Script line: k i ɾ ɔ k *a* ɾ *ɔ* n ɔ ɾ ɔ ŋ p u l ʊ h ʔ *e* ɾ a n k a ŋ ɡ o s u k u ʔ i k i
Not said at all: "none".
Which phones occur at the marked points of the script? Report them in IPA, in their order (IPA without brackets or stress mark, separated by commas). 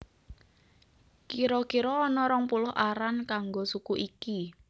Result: i, ɔː, a